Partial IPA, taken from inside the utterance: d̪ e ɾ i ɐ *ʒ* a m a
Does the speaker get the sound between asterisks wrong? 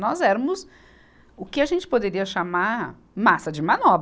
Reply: yes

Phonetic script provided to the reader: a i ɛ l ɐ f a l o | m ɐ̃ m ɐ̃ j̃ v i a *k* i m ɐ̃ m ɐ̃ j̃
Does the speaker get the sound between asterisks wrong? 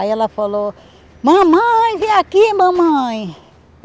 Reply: no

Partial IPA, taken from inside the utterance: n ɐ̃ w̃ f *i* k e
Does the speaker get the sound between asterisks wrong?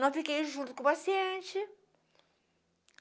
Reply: no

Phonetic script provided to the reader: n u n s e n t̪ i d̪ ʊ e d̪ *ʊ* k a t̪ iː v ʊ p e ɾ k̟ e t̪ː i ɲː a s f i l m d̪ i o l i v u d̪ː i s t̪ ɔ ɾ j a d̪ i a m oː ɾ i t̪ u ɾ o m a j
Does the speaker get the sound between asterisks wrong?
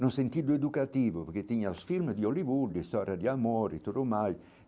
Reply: yes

